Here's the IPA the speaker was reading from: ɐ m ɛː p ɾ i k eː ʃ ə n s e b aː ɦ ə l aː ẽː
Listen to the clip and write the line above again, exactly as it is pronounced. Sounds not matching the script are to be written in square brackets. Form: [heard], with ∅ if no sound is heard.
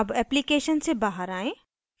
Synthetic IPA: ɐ [b] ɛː p [l] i k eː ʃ ə n s e b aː ɦ ə [ɾ] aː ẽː